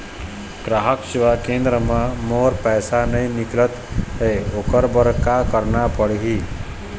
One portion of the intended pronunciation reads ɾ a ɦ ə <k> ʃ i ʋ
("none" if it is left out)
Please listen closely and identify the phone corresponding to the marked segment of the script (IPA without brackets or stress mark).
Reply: k